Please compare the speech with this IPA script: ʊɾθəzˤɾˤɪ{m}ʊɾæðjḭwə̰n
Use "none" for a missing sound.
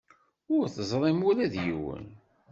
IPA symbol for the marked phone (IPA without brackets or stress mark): m